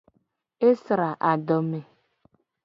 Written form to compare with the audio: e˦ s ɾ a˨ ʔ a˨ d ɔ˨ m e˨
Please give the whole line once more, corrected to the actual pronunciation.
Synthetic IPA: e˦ s ɾ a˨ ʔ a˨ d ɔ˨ m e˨